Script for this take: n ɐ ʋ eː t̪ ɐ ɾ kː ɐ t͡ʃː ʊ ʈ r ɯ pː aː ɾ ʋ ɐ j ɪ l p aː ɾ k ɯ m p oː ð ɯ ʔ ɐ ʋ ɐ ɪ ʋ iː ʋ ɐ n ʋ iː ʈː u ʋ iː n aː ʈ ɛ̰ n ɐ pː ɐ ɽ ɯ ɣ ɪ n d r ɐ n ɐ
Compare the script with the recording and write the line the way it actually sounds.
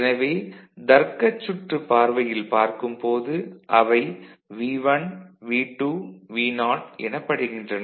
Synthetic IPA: n ɐ ʋ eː d̪ ɐ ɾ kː ɐ t͡ʃː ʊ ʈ r ɯ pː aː ɾ ʋ ɐ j ɪ l p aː ɾ k ɯ m p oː ð ɯ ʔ ɐ ʋ ɐ ɪ ʋ iː ʋ ɐ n ʋ iː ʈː u ʋ iː n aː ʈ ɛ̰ n ɐ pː ɐ ɽ ɯ ɣ ɪ n d r ɐ n ɐ